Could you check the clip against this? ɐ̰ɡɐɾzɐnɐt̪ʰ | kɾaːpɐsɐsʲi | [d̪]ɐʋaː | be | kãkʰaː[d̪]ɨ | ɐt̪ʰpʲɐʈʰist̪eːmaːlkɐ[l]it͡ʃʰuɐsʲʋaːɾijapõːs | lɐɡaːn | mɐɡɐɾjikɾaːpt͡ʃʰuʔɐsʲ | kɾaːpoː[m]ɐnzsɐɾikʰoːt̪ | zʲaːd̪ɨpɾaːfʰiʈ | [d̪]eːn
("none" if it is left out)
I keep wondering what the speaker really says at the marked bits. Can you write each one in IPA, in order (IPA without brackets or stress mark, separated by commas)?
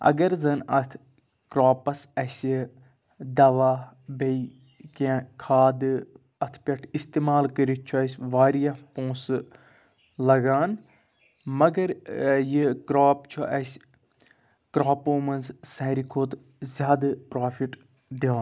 d̪, d̪, ɾ, m, d̪